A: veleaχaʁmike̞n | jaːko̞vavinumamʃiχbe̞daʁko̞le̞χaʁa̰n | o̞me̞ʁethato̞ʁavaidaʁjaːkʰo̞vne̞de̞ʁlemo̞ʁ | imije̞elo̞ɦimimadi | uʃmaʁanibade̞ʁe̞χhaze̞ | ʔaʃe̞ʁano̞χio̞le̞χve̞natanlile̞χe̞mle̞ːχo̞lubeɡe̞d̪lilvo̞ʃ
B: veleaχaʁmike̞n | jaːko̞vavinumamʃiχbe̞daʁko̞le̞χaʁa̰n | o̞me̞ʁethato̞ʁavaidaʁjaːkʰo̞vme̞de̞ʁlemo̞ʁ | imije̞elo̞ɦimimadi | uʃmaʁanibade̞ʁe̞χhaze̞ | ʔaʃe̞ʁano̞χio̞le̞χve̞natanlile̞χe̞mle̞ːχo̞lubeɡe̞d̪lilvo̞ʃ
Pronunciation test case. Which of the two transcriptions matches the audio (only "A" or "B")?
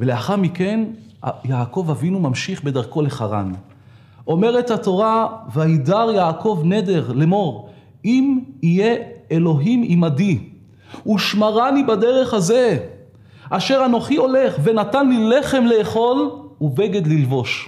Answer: A